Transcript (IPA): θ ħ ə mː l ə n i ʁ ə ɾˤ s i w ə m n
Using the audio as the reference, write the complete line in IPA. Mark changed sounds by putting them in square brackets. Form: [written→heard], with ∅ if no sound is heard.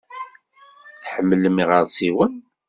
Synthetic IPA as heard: θ ħ ə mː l ə [n→m] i ʁ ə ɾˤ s i w ə [m→∅] n

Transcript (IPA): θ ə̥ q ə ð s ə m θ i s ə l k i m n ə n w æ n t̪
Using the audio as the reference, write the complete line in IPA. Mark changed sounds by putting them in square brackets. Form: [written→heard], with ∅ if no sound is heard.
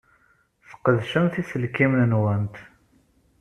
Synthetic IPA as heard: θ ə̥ q ə ð [s→ʃ] ə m θ i s ə l k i m n ə n w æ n t̪

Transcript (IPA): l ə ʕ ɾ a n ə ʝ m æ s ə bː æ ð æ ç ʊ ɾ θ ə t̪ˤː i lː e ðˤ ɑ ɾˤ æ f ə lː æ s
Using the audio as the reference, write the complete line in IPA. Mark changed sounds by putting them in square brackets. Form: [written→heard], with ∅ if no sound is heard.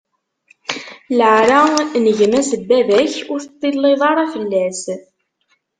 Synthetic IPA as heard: l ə ʕ ɾ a n ə ʝ m æ s ə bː æ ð æ ç ʊ ɾ θ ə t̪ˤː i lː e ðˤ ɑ ɾˤ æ f ə lː æ s

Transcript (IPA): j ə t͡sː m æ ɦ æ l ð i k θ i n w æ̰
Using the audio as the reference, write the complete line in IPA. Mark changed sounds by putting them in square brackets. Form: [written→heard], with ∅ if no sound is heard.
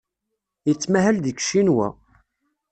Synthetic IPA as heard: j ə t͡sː m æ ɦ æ l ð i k [θ→ʃ] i n w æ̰

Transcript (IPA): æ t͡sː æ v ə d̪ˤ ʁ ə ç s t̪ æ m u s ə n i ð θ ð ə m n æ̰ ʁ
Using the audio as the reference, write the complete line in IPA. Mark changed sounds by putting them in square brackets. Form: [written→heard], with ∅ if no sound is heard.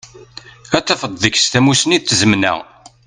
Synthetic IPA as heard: æ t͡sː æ [v→f] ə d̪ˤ [ʁ→ð] ə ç s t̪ æ m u s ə n i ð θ [ð→z] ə m n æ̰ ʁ

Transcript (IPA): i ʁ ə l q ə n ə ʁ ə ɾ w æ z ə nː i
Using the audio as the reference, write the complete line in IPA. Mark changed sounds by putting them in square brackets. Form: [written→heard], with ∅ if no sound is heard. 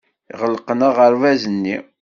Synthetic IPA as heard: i ʁ ə l q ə n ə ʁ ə ɾ [w→v] æ z ə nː i

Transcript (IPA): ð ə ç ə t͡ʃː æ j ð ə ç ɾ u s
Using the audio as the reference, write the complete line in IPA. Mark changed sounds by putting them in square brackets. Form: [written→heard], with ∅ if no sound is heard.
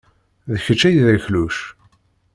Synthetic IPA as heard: ð ə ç ə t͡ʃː æ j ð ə ç [ɾ→l] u [s→ʃ]

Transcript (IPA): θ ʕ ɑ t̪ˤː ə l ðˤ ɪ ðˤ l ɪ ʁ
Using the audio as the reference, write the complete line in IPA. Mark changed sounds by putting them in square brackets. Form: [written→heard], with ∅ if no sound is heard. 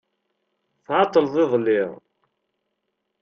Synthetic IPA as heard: θ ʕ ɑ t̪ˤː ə l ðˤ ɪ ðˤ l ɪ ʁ

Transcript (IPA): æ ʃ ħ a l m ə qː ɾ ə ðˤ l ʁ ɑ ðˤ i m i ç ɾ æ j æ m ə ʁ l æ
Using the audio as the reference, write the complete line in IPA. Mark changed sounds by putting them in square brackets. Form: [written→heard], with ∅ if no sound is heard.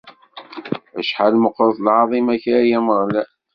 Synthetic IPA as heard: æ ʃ ħ a l m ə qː ɾ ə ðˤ l [ʁ→ʕ] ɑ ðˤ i m [i→æ] ç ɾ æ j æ m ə ʁ l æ

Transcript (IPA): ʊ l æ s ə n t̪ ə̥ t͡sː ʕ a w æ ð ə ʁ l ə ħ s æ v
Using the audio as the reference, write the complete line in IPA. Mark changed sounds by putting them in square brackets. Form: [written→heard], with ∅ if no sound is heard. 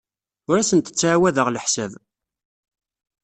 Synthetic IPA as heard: ʊ [l→ɾ] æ s ə n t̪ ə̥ t͡sː ʕ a w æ ð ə ʁ l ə ħ s æ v

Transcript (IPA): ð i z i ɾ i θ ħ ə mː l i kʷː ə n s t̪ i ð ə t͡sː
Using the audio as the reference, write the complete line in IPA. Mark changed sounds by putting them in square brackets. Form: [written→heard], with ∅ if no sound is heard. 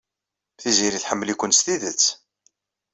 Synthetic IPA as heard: [ð→θ] i z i ɾ i θ ħ ə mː l i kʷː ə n s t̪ i ð ə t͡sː

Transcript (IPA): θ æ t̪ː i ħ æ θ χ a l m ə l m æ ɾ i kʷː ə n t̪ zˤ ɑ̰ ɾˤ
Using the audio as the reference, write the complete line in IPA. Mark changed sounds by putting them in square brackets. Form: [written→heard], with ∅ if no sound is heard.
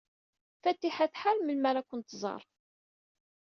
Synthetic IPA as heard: [θ→f] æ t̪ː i ħ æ θ [χ→ħ] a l m ə l m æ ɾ [i→æ] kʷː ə n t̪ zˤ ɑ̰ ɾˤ

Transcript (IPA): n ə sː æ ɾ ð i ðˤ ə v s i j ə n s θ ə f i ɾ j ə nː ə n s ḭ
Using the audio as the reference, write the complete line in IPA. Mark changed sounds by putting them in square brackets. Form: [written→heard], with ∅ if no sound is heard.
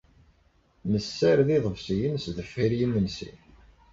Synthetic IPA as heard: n ə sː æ ɾ ð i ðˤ ə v s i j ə n s [θ→ð] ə f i ɾ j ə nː ə n s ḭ

